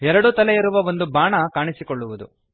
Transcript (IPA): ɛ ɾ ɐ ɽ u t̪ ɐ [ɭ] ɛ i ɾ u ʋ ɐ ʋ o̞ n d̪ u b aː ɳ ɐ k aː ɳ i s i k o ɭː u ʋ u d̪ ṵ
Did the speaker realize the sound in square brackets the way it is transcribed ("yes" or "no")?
no